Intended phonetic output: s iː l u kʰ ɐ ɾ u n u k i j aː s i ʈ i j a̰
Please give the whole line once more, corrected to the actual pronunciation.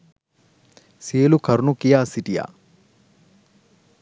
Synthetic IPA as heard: s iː l u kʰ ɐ ɾ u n u k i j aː s i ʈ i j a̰